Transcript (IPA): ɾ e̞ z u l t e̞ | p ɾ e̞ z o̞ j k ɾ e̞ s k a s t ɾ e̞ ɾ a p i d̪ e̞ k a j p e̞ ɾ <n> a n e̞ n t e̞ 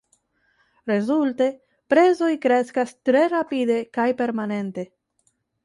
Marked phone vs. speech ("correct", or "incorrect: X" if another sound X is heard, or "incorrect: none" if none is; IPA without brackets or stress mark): incorrect: m